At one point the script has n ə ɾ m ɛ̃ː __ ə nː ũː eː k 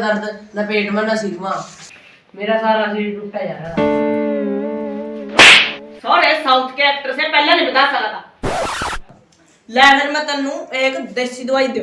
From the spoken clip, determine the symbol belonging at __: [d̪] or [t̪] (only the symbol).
t̪